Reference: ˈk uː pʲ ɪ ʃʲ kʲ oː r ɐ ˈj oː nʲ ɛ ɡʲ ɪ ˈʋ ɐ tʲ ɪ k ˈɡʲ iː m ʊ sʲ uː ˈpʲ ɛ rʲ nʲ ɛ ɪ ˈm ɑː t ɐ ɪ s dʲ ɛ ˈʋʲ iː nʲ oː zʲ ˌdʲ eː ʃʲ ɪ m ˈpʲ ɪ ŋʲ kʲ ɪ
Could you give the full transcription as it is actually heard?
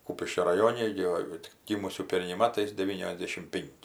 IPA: ˈk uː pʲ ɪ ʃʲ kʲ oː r ɐ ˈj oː nʲ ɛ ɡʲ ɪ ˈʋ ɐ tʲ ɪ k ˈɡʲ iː m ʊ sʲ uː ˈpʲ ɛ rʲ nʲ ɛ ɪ ˈm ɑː t ɐ ɪ s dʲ ɛ ˈʋʲ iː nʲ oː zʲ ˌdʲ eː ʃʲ ɪ m ˈpʲ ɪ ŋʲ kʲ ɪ

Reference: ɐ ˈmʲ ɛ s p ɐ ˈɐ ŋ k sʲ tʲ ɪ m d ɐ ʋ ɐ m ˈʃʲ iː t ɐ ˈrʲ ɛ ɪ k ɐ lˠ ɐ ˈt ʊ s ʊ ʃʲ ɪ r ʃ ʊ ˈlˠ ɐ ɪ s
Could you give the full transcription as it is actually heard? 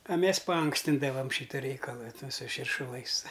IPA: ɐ ˈmʲ ɛ s p ɐ ˈɐ ŋ k sʲ tʲ ɪ n d ɐ ʋ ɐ m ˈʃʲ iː t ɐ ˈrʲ ɛ ɪ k ɐ lˠ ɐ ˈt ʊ s ʊ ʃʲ ɪ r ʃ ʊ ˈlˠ ɐ ɪ s

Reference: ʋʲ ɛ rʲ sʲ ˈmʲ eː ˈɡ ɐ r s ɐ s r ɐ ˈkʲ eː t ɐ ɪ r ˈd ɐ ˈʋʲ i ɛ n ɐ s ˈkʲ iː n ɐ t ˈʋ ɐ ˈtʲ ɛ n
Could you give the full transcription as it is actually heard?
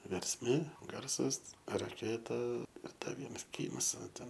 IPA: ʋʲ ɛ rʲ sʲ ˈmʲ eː ˈɡ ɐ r s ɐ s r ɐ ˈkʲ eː t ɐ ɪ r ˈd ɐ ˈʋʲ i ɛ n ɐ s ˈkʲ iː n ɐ s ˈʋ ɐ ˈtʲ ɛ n

